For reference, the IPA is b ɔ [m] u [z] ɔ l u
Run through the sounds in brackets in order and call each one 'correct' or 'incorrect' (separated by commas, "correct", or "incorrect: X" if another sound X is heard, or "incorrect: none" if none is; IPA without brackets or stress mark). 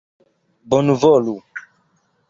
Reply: incorrect: n, incorrect: v